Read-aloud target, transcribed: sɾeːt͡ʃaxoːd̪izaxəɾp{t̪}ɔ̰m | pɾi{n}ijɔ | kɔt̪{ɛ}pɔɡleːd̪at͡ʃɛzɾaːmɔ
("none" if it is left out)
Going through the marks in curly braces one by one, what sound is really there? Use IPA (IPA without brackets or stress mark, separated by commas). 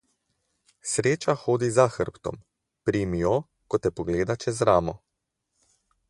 t̪, m, ɛ